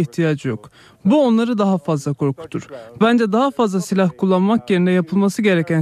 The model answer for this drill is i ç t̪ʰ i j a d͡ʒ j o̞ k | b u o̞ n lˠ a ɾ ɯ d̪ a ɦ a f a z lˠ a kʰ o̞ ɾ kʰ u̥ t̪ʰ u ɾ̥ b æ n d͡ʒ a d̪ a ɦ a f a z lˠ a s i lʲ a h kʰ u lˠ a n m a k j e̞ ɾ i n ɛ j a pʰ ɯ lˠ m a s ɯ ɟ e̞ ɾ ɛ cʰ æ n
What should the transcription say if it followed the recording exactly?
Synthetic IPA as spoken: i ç t̪ʰ i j a d͡ʒ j o̞ k | b u o̞ n lˠ a ɾ ɯ d̪ a ɦ a f a z lˠ a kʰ o̞ ɾ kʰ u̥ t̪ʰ u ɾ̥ b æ n d͡ʒ ɛ d̪ a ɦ a f a z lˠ a s i lʲ a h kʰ u lˠː a n m a k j e̞ ɾ i n ɛ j a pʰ ɯ lˠ m a s ɯ ɟ e̞ ɾ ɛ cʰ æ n